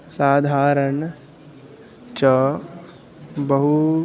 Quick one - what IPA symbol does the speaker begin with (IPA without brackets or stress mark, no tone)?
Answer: s